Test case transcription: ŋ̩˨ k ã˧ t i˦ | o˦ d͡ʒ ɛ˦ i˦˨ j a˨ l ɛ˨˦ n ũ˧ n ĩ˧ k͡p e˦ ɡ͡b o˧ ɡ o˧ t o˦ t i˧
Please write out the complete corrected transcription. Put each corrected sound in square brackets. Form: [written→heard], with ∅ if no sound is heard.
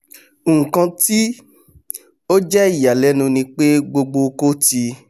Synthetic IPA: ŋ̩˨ k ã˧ t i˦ | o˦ d͡ʒ ɛ˦ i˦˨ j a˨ l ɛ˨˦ n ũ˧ n ĩ˧ k͡p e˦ ɡ͡b o˧ [ɡ→ɡ͡b] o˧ [t→k] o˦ t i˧